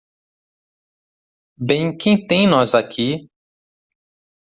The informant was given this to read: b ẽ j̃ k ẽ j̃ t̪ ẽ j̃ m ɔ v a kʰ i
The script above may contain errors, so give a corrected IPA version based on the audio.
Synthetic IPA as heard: b ẽ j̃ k ẽ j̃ t̪ ẽ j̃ n ɔ z a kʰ i